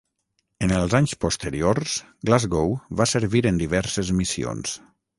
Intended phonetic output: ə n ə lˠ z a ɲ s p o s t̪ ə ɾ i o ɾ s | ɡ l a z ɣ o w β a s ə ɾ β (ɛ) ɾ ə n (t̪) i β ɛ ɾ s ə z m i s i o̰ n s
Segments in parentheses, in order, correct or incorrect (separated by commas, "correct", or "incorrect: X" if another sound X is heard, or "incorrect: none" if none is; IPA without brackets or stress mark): incorrect: i, incorrect: d̪